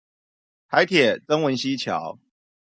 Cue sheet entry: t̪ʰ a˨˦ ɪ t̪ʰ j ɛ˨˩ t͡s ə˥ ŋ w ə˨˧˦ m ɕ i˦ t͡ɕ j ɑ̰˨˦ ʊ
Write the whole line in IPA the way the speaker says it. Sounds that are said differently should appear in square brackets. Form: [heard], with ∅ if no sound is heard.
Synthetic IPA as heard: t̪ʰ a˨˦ ɪ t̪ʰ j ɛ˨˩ t͡s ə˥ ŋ w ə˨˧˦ [n] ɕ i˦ [t͡ɕʰ] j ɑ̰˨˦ ʊ